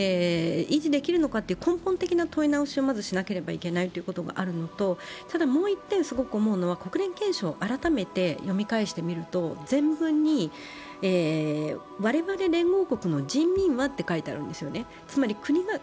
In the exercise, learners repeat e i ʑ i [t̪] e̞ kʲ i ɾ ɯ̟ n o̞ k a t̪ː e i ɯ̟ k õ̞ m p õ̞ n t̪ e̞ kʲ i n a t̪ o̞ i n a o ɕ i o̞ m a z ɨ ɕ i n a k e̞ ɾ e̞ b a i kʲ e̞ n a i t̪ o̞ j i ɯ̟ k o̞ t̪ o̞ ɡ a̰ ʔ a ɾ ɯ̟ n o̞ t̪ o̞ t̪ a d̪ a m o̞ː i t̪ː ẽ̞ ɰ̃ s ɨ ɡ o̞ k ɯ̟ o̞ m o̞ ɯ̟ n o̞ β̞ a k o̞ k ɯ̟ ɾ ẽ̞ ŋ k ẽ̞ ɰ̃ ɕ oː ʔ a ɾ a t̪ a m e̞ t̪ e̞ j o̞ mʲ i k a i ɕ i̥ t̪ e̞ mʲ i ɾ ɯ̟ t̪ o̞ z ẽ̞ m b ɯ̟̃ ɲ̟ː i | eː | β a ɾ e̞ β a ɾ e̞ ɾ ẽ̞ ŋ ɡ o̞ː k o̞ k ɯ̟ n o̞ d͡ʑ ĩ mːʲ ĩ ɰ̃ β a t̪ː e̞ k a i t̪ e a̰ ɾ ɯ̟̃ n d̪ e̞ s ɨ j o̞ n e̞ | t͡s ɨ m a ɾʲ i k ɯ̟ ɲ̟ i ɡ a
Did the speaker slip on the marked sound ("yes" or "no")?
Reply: yes